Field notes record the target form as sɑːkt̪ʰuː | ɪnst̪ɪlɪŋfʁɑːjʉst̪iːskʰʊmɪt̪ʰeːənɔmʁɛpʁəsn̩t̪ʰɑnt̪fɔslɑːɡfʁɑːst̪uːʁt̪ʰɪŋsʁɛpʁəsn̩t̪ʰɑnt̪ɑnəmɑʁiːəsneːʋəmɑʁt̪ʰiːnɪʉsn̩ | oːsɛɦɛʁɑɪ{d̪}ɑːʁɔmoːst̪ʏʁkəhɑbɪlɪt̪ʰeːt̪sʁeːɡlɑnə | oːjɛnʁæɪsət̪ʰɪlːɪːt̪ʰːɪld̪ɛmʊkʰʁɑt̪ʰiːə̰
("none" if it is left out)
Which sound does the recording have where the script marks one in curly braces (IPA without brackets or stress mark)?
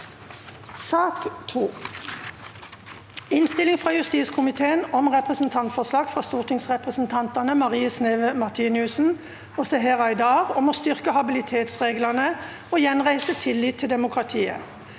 d̪